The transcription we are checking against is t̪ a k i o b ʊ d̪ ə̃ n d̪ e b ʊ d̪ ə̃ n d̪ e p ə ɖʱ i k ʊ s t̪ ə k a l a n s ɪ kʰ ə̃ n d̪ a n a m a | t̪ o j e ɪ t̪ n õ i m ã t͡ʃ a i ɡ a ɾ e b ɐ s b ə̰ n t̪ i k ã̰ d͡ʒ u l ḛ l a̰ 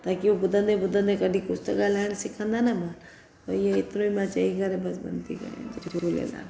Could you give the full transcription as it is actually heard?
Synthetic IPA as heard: t̪ a k i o b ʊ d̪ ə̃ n d̪ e b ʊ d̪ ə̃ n d̪ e k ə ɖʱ i k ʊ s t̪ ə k a l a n s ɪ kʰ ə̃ n d̪ a n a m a | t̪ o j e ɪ t̪ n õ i m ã t͡ʃ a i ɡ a ɾ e b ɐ s b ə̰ n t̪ i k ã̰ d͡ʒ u l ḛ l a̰